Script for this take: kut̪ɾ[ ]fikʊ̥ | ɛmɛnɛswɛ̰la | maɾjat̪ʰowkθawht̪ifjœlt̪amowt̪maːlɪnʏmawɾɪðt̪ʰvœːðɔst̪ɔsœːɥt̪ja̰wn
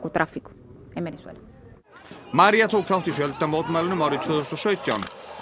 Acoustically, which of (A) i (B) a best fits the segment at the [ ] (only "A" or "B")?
B